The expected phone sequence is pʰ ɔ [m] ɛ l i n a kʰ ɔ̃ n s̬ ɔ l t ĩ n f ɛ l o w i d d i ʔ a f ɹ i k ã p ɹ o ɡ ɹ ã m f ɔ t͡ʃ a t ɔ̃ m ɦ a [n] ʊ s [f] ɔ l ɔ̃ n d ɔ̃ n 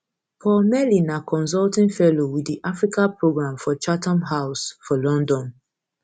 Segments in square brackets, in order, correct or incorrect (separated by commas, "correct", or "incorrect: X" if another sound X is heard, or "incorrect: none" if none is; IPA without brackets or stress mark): correct, incorrect: none, correct